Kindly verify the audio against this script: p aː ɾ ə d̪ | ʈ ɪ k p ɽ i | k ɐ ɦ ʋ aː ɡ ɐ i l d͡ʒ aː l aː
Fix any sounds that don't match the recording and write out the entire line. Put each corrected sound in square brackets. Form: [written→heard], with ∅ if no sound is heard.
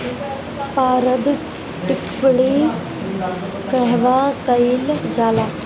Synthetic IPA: p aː ɾ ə d̪ | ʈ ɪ k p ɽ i | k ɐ ɦ ʋ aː [ɡ→k] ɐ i l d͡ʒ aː l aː